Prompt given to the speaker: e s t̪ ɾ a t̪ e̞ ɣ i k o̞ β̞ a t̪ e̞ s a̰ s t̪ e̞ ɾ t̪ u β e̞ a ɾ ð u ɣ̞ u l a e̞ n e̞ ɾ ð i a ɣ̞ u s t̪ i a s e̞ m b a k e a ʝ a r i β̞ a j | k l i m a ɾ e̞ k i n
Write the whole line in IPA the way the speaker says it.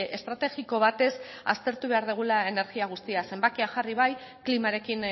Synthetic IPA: e s t̪ ɾ a t̪ e̞ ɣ i k o̞ β̞ a t̪ e̞ s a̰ s t̪ e̞ ɾ t̪ u β e̞ a ɾ ð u ɣ̞ u l a e̞ n e̞ ɾ ɣ i a ɣ̞ u s t̪ i a s e̞ m b a k e a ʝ a r i β̞ a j | k l i m a ɾ e̞ k i n